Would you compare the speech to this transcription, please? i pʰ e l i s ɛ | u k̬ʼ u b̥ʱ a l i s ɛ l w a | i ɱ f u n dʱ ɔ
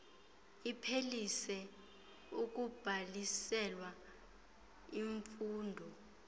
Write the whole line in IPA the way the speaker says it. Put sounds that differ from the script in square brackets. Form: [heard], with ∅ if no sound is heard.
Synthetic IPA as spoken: i pʰ e l i s ɛ | u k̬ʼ u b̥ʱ a l i s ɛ l w a | i ɱ f [uː] n dʱ ɔ